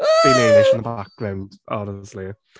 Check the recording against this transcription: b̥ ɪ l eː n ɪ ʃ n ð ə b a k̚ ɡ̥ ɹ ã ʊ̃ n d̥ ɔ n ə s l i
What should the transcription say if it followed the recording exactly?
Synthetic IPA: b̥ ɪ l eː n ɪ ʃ n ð ə b a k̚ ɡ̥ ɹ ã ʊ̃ n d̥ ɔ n ə s l i